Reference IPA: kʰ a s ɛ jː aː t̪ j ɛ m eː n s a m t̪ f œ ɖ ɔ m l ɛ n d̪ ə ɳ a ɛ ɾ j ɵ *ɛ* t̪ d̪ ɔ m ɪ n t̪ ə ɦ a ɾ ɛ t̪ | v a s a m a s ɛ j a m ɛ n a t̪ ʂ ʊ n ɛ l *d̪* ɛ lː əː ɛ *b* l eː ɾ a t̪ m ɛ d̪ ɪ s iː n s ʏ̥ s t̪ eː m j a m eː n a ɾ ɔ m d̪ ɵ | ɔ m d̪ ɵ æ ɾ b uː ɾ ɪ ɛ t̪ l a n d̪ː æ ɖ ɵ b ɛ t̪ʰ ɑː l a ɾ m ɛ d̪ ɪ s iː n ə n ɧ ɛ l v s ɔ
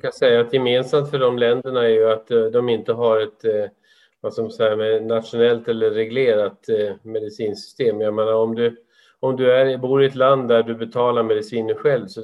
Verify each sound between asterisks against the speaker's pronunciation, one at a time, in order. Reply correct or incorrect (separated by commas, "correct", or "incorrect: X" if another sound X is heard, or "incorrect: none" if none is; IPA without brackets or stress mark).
incorrect: a, incorrect: t̪, incorrect: ɡ